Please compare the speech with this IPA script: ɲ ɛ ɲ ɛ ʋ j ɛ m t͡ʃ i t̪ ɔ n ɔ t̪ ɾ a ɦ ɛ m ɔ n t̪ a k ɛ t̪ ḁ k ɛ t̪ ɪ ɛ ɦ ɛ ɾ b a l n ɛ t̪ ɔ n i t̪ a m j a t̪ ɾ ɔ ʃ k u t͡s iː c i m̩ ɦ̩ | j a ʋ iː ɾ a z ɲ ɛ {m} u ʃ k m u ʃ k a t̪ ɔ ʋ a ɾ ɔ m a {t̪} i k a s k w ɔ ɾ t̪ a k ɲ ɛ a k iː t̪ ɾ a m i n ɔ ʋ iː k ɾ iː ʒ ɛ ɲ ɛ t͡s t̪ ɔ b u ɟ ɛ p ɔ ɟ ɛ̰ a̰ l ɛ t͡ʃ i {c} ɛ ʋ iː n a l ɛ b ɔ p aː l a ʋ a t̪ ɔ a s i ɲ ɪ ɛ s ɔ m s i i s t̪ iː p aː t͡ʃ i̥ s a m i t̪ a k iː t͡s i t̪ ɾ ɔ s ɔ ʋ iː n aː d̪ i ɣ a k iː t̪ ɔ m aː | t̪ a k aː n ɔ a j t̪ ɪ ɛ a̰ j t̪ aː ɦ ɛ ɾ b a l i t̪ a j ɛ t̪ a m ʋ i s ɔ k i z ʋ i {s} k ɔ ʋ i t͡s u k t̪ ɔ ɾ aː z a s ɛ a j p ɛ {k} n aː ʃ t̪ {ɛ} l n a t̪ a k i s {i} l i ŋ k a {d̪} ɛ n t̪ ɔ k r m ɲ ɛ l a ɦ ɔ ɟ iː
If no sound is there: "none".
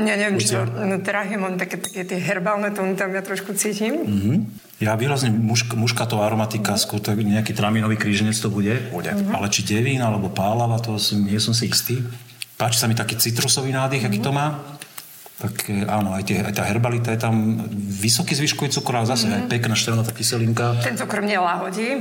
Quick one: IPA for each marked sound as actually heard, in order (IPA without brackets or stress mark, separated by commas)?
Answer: m, t̪, ɟ, ʃ, k, ɛ, ɛ, t̪